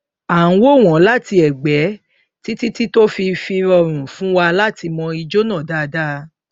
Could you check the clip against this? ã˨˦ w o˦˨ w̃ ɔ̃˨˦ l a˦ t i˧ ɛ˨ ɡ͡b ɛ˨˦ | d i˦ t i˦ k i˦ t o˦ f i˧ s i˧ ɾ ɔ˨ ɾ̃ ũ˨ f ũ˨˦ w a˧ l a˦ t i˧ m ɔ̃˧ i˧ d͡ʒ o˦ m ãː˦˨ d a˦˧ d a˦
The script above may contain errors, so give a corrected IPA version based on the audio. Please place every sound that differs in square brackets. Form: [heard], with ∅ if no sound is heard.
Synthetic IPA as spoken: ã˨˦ w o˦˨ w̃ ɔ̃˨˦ l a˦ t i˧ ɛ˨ ɡ͡b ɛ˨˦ | [t] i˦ t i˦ [t] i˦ t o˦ f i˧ [f] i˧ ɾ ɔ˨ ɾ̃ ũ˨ f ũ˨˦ w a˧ l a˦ t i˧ m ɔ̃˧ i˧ d͡ʒ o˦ [n] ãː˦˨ d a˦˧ d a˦